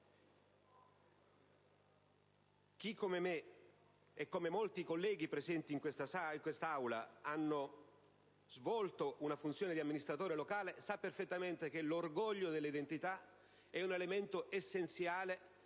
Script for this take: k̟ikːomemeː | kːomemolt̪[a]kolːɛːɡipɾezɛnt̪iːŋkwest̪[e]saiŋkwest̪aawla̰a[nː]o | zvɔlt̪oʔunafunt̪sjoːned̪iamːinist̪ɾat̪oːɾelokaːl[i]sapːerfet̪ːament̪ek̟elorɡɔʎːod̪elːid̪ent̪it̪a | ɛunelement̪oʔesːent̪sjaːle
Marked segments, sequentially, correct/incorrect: incorrect, incorrect, correct, incorrect

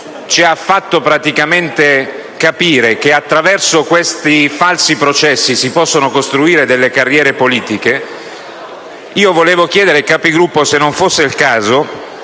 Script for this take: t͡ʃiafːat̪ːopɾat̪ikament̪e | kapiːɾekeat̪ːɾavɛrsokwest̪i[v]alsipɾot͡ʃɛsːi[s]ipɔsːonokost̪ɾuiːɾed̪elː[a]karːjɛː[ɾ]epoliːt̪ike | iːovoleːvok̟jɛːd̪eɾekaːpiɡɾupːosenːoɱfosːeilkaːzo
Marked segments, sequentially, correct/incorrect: incorrect, correct, incorrect, correct

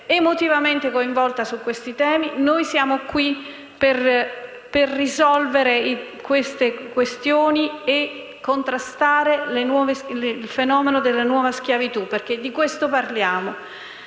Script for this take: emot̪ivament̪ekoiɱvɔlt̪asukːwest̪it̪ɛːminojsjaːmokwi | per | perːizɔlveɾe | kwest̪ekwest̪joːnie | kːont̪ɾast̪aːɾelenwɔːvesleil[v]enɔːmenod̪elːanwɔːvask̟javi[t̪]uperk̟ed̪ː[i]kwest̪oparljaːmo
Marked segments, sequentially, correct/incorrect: incorrect, correct, correct

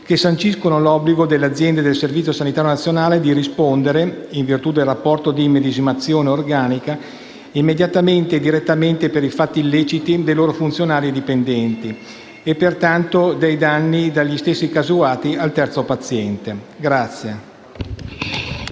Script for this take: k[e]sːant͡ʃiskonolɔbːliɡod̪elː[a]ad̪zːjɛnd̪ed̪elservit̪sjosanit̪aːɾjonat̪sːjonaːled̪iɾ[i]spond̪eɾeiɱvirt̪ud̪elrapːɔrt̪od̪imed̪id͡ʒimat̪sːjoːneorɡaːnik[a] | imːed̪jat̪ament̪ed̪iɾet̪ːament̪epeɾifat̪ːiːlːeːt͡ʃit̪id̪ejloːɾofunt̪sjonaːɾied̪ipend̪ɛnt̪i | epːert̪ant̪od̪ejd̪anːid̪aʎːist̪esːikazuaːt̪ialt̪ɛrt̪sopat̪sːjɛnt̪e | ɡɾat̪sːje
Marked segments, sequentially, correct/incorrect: correct, incorrect, correct, correct

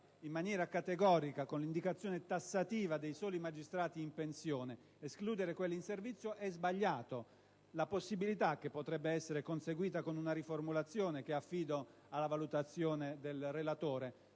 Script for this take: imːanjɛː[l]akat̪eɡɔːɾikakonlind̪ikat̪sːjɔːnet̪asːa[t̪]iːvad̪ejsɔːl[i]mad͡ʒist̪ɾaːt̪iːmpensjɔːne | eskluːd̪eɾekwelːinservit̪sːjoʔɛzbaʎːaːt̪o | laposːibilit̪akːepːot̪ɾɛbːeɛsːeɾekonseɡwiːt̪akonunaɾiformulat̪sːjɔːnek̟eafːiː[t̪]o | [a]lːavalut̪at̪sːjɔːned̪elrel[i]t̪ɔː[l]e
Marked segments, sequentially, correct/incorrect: incorrect, correct, correct, incorrect, correct, incorrect, incorrect

